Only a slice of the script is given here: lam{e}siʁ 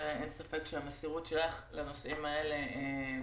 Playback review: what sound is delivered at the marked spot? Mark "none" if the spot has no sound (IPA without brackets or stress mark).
e